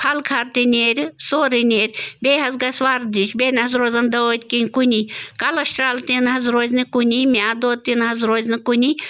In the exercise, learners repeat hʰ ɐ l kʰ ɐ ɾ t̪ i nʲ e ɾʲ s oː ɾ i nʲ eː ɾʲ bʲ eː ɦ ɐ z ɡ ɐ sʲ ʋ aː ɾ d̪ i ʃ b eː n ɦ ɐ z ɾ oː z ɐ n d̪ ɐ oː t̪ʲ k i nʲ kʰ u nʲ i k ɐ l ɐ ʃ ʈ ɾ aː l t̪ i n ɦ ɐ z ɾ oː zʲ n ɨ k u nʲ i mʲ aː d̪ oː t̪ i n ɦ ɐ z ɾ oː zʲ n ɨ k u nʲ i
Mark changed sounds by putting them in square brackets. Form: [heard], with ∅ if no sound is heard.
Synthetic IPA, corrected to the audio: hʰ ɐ l kʰ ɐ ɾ t̪ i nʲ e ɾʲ s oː ɾ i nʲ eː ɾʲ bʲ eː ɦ ɐ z ɡ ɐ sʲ ʋ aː ɾ d̪ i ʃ b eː n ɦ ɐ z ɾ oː z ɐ n d̪ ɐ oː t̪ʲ k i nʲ [k] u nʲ i k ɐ l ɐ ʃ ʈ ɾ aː l t̪ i n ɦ ɐ z ɾ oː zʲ n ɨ k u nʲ i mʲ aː d̪ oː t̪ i n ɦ ɐ z ɾ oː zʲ n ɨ k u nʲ i